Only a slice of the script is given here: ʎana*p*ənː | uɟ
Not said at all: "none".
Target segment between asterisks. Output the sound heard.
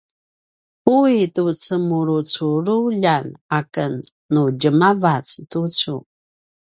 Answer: k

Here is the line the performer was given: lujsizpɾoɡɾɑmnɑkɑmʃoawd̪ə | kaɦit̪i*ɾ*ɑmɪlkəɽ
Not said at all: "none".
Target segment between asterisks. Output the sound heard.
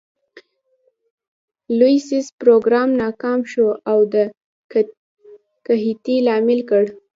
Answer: l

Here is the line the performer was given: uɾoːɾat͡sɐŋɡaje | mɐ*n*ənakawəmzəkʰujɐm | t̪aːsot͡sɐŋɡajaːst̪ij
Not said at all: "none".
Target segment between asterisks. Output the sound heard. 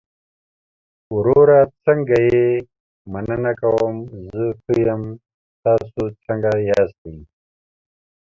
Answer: n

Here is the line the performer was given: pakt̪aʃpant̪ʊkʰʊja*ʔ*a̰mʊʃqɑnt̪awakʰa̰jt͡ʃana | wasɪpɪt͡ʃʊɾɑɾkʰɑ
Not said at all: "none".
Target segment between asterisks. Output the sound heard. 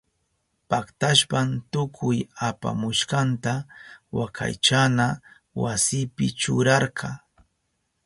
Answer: p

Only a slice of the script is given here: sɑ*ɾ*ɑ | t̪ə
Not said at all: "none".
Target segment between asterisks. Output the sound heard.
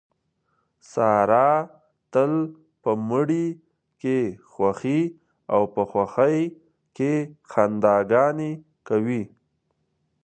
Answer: ɾ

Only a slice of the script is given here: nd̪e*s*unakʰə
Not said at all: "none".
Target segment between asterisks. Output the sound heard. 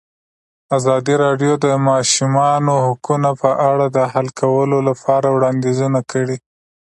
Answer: z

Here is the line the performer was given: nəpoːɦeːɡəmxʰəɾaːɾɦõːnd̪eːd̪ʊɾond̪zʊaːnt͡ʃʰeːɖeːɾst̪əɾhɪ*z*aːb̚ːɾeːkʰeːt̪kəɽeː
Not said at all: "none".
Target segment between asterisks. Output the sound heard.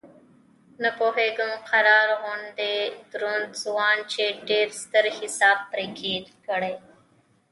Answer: s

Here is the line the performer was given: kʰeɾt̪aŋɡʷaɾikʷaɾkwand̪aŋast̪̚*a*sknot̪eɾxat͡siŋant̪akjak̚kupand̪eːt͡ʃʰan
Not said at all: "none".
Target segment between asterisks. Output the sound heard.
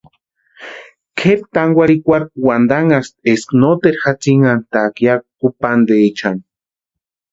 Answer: e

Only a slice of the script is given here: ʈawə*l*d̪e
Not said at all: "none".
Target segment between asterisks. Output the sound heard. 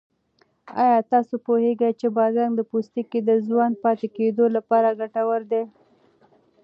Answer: ɾ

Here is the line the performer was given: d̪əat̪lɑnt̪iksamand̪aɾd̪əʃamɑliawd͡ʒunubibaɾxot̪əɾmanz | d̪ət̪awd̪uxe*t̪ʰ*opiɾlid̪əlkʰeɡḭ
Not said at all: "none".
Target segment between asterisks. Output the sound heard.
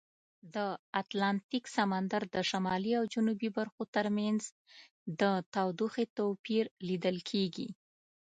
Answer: t̪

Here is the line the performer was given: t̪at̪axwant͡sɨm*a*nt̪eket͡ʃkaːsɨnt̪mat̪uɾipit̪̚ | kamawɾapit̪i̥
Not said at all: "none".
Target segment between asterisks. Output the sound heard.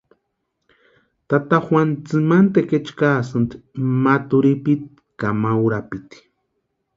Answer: a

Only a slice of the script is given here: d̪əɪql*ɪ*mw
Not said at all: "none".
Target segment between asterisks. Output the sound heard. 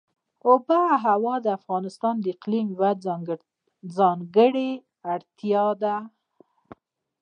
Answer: i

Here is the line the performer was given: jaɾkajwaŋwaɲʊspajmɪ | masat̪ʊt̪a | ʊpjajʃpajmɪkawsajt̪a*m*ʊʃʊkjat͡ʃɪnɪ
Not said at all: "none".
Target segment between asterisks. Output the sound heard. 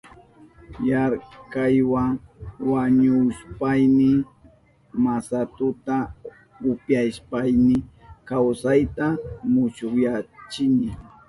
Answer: m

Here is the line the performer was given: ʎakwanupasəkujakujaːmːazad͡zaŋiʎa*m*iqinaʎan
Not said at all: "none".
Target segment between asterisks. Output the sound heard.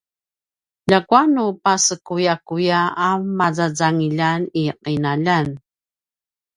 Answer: n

